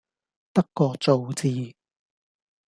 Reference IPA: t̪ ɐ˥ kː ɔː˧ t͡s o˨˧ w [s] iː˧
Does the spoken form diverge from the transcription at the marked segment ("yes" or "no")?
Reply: yes